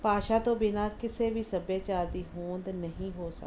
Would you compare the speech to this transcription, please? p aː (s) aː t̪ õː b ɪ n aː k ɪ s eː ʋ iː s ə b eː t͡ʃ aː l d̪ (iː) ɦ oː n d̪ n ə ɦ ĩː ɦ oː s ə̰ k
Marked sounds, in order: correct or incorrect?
incorrect: ʃ, correct

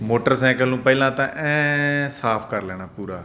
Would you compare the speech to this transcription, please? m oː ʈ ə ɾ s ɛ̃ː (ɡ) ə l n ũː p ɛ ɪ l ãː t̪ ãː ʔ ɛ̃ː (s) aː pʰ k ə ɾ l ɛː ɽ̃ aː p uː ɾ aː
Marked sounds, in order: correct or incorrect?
incorrect: k, correct

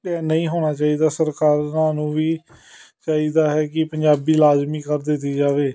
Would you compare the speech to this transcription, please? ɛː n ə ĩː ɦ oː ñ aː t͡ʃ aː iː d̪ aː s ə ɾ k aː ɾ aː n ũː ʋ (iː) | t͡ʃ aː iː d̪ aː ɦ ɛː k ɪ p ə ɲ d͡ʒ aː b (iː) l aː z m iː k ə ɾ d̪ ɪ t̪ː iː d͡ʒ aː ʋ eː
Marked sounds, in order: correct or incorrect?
correct, correct

